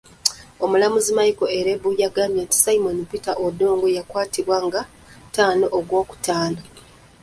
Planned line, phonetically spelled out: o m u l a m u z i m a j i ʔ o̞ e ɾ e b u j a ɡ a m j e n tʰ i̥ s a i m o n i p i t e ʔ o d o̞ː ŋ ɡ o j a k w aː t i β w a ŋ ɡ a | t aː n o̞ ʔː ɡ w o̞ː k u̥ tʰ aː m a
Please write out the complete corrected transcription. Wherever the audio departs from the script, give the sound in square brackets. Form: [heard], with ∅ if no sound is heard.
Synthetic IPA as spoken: o m u l a m u z i m a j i [k] o̞ e ɾ e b u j a ɡ a m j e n [t] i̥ s a i m o n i p i t [a] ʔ o d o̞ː ŋ ɡ o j a k w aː t i β w a ŋ ɡ a | t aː n o̞ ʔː ɡ w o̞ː k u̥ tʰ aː [n] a